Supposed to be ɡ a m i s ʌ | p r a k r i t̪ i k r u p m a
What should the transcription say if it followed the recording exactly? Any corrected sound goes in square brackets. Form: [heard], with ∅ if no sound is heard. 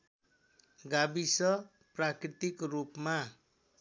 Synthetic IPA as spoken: ɡ a [b] i s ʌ | p r a k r i t̪ i k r u p m a